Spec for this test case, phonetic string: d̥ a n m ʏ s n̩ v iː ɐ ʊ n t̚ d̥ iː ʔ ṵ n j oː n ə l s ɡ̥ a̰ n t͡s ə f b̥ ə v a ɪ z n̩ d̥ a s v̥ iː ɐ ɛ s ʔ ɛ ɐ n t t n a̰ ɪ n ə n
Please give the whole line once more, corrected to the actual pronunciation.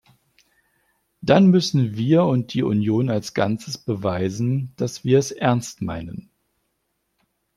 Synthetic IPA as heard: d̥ a n m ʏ s n̩ v iː ɐ ʊ n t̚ d̥ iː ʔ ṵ n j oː n a l s ɡ̥ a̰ n t͡s ə s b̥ ə v a ɪ z n̩ d̥ a s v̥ iː ɐ ɛ s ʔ ɛ ɐ n s t m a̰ ɪ n ə n